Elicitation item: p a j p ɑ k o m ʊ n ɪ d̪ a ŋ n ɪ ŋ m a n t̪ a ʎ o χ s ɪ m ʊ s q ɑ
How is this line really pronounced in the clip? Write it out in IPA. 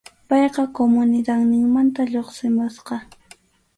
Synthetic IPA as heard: p ɑ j q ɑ k o m ʊ n ɪ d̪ a ŋ n ɪ ŋ m a n t̪ a ʎ o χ s ɪ m ʊ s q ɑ

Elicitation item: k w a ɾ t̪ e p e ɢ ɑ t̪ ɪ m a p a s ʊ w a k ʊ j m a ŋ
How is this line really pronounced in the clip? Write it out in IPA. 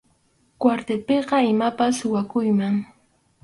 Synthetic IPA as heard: k w a ɾ t̪ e p e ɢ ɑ ɪ m a p a s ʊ w a k ʊ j m a ŋ

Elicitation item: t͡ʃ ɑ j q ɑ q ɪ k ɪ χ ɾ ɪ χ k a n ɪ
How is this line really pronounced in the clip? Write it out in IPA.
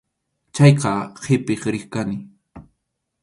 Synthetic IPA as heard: t͡ʃ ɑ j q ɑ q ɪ p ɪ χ ɾ ɪ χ k a n ɪ

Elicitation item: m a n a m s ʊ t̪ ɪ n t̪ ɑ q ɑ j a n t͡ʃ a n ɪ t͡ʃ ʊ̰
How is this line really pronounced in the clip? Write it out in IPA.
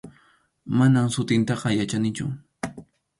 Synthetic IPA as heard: m a n a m s ʊ t̪ ɪ n t̪ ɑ q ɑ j a t͡ʃ a n ɪ t͡ʃ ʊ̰

